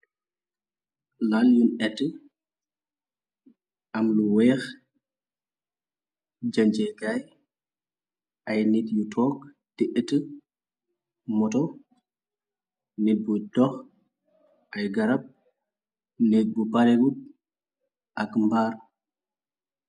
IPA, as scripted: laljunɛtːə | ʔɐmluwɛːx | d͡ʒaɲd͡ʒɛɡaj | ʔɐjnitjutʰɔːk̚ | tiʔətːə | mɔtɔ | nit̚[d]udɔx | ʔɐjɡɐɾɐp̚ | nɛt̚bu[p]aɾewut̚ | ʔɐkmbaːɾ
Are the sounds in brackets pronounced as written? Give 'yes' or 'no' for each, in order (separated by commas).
no, yes